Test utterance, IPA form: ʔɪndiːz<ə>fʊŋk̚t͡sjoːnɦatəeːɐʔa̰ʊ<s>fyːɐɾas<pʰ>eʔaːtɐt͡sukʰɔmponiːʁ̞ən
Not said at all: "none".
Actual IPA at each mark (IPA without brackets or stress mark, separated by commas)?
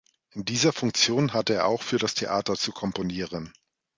ɐ, x, tʰ